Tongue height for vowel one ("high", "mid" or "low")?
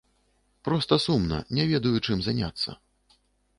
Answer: mid